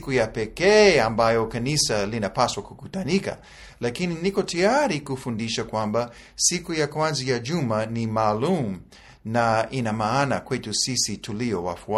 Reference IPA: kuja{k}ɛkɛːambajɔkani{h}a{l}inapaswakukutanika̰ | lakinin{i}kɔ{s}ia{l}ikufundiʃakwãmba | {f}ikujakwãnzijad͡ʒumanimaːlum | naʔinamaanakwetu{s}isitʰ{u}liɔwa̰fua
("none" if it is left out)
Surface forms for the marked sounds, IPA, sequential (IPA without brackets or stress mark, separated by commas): p, s, l, i, t, ɾ, s, s, u